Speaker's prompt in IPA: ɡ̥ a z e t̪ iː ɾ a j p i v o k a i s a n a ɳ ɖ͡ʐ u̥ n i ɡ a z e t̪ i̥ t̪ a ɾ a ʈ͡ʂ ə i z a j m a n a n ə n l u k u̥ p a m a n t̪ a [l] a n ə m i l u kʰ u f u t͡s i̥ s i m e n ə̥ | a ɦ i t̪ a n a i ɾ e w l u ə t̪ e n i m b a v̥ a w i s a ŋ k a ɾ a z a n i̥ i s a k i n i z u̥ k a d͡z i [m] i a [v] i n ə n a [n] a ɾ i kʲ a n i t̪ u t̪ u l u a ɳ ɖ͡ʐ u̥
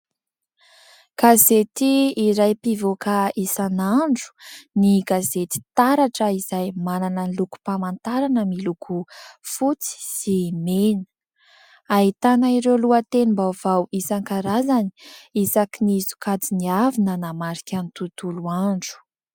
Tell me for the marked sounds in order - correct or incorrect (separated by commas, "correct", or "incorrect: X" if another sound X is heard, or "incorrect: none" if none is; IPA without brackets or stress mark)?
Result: incorrect: ɾ, incorrect: n, correct, incorrect: m